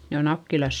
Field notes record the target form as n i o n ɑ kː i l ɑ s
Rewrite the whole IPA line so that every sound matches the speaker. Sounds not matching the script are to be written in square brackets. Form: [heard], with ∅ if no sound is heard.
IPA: n [e] o n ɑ kː i l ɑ s